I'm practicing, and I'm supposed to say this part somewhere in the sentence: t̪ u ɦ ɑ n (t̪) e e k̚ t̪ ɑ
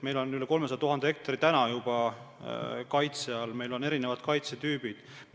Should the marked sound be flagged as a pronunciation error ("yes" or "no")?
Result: yes